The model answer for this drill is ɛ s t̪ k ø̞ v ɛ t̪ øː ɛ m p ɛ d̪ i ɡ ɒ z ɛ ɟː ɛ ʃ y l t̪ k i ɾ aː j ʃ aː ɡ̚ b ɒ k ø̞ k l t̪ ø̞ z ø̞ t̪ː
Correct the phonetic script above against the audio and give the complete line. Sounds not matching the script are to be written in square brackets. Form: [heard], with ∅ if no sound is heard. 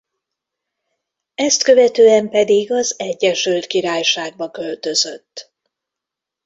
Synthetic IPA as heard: ɛ s t̪ k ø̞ v ɛ t̪ øː ɛ m p ɛ d̪ i ɡ ɒ z ɛ ɟː ɛ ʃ y l t̪ k i ɾ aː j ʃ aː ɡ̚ b ɒ k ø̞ [∅] l t̪ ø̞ z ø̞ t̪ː